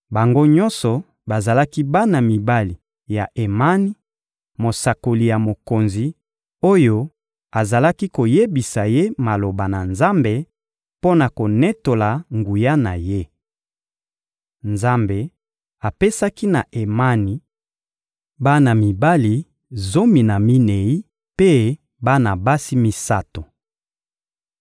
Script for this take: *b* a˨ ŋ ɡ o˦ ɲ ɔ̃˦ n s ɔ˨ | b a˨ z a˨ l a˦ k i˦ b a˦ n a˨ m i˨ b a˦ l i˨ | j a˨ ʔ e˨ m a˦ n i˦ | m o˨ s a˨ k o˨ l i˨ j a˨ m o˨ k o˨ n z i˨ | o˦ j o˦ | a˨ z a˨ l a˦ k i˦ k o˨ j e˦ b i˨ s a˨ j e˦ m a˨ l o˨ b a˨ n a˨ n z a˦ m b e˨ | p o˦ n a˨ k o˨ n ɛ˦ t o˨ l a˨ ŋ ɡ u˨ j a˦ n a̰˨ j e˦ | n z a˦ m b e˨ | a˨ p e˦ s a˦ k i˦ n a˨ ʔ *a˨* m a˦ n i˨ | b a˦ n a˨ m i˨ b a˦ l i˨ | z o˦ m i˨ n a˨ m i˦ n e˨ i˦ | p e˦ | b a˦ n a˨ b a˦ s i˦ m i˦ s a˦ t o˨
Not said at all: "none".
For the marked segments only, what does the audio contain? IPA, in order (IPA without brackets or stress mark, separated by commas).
b, e˨